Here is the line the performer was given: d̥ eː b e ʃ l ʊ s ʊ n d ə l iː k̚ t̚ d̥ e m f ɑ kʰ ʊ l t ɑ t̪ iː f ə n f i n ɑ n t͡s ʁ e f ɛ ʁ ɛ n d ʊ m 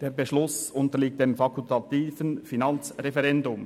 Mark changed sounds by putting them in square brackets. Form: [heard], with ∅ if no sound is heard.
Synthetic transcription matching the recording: d̥ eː b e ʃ l ʊ s ʊ n [t] ə l iː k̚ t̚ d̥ e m f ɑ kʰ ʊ l t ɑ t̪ iː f ə n f i n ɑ n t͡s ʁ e f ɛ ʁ ɛ n d ʊ m